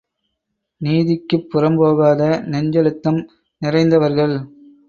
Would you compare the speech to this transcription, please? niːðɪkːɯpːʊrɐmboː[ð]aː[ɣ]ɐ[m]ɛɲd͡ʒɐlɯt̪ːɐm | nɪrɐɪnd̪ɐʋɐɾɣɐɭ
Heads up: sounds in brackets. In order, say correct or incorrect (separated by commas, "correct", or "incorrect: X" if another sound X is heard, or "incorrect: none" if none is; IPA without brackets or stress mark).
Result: incorrect: ɣ, incorrect: ð, incorrect: n